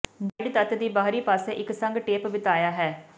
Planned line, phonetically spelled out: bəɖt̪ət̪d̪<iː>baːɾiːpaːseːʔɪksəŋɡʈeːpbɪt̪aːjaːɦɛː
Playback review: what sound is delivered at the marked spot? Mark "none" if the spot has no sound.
iː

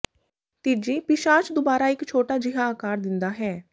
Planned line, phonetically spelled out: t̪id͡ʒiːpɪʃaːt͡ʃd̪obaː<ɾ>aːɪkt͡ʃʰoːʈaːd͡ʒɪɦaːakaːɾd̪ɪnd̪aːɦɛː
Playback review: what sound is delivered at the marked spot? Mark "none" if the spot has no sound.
ɾ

